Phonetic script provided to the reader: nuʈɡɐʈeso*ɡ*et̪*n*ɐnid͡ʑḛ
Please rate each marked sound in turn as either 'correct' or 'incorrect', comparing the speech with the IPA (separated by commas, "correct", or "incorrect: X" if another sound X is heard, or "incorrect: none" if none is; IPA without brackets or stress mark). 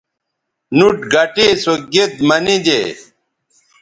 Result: correct, incorrect: m